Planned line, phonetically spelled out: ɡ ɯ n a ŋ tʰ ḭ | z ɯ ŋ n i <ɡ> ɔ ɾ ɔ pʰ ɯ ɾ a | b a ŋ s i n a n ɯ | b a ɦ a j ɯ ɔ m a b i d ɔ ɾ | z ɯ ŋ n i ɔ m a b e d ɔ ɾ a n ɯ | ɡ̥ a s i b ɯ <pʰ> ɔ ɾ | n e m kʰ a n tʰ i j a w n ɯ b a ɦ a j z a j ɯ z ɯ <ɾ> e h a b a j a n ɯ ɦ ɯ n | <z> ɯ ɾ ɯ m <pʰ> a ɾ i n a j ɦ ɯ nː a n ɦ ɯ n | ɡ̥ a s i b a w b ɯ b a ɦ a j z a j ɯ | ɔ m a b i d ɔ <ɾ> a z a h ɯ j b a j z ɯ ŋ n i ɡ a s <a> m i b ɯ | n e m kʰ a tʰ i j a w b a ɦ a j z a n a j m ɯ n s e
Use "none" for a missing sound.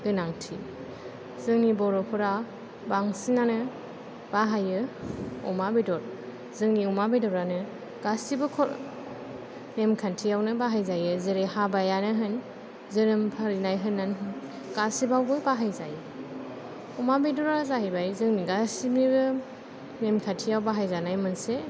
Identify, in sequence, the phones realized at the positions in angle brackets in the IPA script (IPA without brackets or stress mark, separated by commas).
b, kʰ, ɾ, z, pʰ, ɾ, i